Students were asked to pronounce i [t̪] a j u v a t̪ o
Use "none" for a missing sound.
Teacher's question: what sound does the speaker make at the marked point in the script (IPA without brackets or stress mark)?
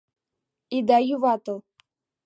d̪